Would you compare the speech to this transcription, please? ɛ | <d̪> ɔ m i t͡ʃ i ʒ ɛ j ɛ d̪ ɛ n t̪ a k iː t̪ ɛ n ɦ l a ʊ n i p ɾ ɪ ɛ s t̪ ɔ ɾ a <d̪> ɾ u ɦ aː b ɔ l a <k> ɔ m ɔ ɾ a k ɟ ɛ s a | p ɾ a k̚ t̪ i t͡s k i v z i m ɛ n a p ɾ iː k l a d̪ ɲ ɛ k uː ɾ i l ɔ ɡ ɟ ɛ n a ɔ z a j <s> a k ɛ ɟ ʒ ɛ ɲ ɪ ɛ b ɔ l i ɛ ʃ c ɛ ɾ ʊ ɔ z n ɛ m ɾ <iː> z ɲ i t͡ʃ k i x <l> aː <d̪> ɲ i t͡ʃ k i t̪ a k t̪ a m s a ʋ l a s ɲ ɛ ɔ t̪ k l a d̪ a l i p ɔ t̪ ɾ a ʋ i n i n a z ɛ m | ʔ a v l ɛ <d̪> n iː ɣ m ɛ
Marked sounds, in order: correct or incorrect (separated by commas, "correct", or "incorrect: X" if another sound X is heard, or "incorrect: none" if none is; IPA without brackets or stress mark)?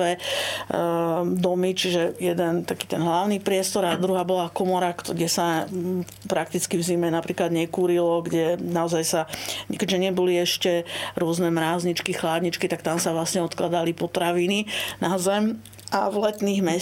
correct, correct, correct, correct, incorrect: aː, correct, correct, incorrect: t̪